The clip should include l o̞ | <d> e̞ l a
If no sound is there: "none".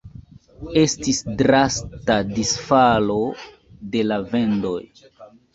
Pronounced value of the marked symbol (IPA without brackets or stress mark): d